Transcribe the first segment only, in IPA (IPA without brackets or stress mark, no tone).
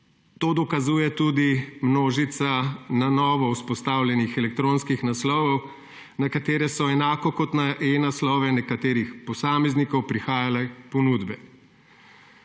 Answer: t̪